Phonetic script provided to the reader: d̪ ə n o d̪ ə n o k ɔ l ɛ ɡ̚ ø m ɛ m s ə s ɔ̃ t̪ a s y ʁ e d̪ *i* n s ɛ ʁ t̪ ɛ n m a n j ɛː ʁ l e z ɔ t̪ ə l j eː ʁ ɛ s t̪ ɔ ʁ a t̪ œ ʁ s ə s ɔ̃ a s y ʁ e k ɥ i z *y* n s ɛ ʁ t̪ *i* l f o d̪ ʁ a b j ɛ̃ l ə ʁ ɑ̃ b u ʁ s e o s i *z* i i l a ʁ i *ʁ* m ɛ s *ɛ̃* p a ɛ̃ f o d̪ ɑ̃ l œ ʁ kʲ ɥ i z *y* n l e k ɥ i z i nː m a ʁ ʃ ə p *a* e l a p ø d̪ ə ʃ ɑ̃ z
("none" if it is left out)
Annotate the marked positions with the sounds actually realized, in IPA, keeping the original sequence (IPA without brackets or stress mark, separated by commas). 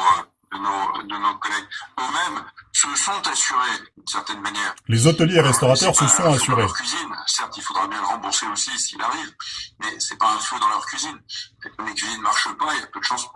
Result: y, i, i, s, v, ɛ, i, a